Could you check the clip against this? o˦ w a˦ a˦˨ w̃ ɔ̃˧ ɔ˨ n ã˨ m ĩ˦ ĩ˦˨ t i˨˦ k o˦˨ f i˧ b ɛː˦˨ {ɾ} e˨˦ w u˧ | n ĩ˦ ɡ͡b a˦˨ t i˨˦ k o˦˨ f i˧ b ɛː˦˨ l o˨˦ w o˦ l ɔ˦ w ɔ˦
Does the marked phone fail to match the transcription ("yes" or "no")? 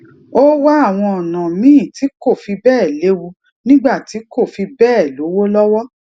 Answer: yes